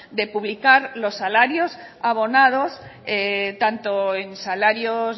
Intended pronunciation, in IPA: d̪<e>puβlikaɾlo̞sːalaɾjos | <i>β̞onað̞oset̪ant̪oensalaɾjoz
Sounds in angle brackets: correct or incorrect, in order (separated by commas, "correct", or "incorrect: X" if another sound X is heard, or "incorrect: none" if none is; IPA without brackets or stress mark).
correct, incorrect: a